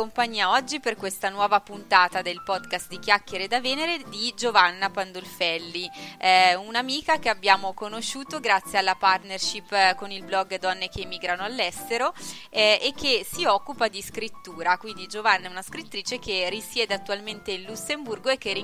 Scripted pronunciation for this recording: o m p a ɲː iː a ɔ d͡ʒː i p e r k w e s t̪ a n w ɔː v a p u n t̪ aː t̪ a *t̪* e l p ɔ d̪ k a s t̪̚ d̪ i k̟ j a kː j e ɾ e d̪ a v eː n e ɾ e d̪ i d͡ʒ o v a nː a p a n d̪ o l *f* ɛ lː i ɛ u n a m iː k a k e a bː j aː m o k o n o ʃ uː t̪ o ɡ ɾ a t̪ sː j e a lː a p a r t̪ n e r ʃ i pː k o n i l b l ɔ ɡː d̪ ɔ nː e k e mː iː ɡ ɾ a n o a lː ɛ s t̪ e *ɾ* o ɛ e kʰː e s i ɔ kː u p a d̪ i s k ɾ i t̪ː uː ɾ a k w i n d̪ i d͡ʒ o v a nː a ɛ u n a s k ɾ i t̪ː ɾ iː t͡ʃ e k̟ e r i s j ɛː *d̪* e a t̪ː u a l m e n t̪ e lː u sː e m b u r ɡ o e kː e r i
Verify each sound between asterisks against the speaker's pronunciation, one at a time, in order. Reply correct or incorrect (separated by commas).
incorrect, correct, correct, correct